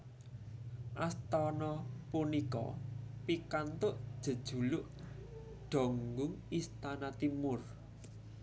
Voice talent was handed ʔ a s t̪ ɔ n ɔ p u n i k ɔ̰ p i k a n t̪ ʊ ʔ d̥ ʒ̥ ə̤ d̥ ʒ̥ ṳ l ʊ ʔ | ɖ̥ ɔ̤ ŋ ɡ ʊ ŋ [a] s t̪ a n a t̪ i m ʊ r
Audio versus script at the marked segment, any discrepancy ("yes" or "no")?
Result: yes